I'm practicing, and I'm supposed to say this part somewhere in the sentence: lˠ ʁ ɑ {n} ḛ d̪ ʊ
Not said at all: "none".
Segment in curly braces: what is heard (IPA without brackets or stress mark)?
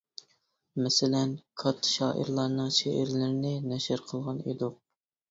n